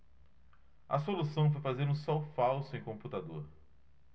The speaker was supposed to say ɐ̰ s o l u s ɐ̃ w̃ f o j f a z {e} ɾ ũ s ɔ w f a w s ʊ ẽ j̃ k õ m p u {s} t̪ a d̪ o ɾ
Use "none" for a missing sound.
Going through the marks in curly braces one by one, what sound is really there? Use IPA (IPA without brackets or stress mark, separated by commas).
e, none